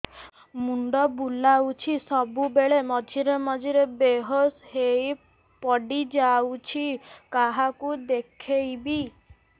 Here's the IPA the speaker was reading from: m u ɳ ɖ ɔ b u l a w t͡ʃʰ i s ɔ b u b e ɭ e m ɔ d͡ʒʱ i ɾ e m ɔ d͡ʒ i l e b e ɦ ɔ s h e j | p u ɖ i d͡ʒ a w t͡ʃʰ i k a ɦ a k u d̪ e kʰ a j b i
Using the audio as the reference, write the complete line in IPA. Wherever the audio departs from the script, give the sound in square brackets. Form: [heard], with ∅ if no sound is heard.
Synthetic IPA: m u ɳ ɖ ɔ b u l a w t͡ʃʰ i s ɔ b u b e ɭ e m ɔ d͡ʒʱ i ɾ e m ɔ d͡ʒ i [ɾ] e b e ɦ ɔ s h e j | p [ɔ] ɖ i d͡ʒ a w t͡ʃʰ i k a ɦ a k u d̪ e kʰ [e] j b i

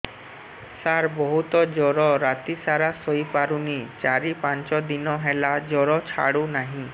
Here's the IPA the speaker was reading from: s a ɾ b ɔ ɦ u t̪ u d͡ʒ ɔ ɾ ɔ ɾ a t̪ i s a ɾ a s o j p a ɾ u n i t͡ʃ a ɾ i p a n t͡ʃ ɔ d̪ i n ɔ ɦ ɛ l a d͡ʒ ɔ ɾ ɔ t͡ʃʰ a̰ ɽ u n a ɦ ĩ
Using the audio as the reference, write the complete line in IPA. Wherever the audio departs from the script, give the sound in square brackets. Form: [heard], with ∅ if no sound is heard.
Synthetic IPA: s a ɾ b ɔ ɦ u t̪ [ɔ] d͡ʒ ɔ ɾ ɔ ɾ a t̪ i s a ɾ a s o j p a ɾ u n i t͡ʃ a ɾ i p a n t͡ʃ ɔ d̪ i n ɔ ɦ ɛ l a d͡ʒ ɔ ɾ ɔ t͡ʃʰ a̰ ɽ u n a ɦ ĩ

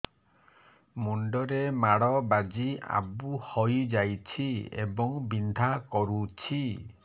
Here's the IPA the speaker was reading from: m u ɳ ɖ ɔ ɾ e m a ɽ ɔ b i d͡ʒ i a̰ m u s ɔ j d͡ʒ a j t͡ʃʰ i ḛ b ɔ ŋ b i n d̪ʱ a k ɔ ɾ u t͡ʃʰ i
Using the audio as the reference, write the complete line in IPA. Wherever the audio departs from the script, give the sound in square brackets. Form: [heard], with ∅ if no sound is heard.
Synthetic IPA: m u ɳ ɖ ɔ ɾ e m a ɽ ɔ b [a] d͡ʒ i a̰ [b] u [h] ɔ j d͡ʒ a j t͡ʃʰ i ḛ b ɔ ŋ b i n d̪ʱ a k ɔ ɾ u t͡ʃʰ i

